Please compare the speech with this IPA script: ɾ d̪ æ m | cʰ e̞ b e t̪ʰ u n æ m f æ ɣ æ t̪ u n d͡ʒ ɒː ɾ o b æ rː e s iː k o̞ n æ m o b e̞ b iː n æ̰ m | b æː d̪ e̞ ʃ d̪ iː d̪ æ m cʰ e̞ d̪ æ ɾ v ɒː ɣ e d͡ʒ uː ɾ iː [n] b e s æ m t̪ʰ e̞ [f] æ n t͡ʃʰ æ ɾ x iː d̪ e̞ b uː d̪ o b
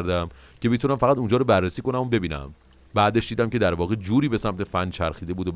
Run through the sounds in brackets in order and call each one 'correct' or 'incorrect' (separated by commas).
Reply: incorrect, correct